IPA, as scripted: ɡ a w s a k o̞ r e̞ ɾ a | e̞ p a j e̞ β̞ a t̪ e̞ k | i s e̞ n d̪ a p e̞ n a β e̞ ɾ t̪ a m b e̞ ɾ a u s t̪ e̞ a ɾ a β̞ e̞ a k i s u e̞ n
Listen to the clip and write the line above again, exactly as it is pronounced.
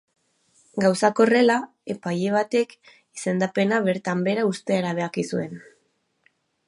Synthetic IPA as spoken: ɡ a w s a k o̞ r e̞ l a | e̞ p a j e̞ β̞ a t̪ e̞ k | i s e̞ n d̪ a p e̞ n a β e̞ ɾ t̪ a m b e̞ ɾ a u s t̪ e̞ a ɾ a β̞ e̞ a k i s u e̞ n